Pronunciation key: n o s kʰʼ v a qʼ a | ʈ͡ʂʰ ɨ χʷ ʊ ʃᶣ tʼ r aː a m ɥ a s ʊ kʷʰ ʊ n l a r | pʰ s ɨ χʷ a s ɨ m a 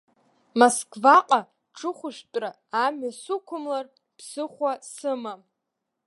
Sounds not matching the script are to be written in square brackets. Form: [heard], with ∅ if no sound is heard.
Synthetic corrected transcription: [m] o s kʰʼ v a qʼ a | ʈ͡ʂʰ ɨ χʷ ʊ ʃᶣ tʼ r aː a m ɥ a s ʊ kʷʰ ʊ [m] l a r | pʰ s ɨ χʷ a s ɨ m a